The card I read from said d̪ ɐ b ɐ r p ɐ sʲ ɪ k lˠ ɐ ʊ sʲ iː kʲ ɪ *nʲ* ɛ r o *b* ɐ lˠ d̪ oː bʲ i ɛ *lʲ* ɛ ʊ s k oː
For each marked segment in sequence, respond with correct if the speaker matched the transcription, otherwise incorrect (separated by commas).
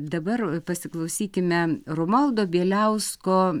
incorrect, incorrect, correct